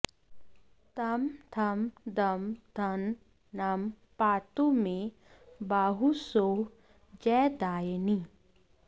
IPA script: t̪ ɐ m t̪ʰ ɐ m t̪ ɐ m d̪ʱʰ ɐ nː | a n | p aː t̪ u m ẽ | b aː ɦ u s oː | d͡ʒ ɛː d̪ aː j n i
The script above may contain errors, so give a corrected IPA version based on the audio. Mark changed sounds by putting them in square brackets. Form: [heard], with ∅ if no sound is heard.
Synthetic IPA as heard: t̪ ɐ m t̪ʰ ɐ m [d̪] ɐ m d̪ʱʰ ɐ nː | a [m] | p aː t̪ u m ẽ | b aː ɦ u s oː | d͡ʒ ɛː d̪ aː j n i

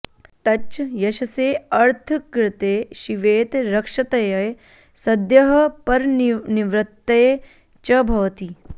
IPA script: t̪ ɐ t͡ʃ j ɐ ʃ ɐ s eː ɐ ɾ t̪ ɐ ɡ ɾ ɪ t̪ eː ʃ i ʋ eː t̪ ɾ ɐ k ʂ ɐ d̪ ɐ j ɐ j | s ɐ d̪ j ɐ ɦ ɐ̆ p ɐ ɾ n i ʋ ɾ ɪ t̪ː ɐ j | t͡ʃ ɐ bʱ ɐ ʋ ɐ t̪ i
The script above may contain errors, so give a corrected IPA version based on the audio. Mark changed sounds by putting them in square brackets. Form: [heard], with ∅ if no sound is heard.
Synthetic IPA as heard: t̪ ɐ t͡ʃ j ɐ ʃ ɐ s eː ɐ ɾ [t̪ʰ] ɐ [k] ɾ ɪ t̪ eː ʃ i ʋ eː t̪ ɾ ɐ k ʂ ɐ [t̪] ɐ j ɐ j | s ɐ d̪ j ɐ ɦ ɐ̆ p ɐ ɾ n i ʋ ɾ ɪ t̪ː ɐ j | t͡ʃ ɐ bʱ ɐ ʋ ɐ t̪ i

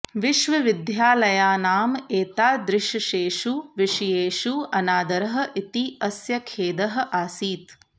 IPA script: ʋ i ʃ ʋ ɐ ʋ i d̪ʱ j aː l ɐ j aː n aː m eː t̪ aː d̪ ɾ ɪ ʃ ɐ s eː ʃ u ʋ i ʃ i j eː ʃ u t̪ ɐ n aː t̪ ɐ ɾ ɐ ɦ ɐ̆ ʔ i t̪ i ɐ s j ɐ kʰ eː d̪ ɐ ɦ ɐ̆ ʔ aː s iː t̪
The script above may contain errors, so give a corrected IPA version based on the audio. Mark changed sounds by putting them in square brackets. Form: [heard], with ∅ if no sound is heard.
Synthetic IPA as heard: ʋ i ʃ ʋ ɐ ʋ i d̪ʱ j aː l ɐ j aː n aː m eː t̪ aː d̪ ɾ ɪ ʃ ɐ [ʃ] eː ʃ u ʋ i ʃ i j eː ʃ u [∅] ɐ n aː [d̪] ɐ ɾ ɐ ɦ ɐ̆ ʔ i t̪ i ɐ s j ɐ kʰ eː d̪ ɐ ɦ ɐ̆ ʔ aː s iː t̪

